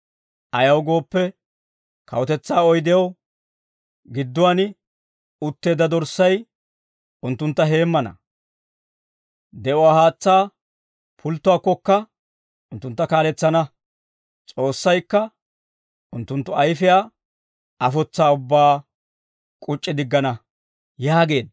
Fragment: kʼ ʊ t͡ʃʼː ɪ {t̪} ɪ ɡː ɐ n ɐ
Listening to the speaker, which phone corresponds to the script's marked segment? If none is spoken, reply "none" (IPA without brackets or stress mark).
d̪